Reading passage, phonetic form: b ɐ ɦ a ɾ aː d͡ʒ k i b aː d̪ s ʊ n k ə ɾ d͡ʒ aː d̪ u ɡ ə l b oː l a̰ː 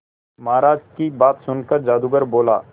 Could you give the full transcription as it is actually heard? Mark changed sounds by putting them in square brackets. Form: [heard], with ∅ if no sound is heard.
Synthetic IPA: [m] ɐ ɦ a ɾ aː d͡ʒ k i b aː [t̪] s ʊ n k ə ɾ d͡ʒ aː d̪ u ɡ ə [ɾ] b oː l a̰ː